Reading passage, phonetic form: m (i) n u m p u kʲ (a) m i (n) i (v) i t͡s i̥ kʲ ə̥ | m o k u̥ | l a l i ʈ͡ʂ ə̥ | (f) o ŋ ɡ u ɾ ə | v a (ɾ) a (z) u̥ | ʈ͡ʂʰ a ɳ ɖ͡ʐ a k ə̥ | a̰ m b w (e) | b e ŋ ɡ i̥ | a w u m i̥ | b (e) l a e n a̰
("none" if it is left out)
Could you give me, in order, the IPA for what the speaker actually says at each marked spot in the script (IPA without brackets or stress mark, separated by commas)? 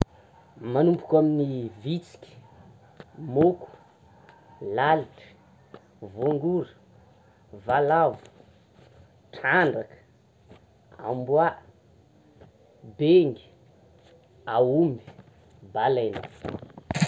a, a, n, v, v, l, v, a, a